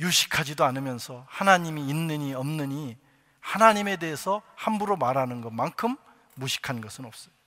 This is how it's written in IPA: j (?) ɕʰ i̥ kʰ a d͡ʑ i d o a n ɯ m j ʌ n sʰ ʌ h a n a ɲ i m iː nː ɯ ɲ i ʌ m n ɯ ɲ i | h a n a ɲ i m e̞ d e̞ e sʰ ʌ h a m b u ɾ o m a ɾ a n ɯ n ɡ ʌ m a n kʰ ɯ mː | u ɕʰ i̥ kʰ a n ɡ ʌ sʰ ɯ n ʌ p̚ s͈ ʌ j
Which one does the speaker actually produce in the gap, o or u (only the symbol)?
u